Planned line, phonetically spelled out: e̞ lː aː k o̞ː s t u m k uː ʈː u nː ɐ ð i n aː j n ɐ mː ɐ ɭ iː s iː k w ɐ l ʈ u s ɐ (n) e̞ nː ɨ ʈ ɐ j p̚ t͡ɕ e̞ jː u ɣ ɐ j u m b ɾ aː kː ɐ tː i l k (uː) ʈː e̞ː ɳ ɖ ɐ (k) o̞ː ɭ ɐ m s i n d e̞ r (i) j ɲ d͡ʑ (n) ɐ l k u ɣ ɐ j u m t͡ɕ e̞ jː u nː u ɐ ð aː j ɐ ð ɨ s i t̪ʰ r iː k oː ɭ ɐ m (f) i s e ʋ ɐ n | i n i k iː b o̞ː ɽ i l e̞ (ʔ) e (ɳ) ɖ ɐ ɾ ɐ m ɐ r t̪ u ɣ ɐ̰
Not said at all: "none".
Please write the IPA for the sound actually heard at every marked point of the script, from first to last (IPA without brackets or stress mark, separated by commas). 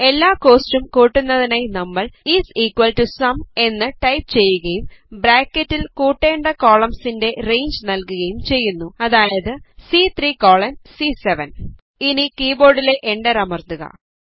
m, uː, k, e, n, s, ʔ, ɳ